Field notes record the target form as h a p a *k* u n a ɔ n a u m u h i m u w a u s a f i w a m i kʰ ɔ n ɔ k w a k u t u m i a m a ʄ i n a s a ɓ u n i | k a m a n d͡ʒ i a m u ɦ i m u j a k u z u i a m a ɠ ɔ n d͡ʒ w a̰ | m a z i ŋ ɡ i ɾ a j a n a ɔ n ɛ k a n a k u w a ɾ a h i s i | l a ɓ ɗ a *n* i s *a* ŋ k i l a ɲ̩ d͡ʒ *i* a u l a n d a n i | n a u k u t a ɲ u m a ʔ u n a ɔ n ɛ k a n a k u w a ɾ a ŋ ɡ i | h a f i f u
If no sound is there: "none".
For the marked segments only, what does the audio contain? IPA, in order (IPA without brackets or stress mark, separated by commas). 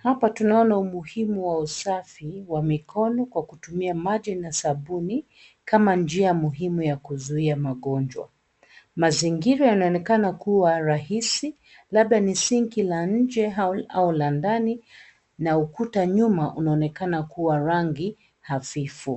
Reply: t, n, i, ɛ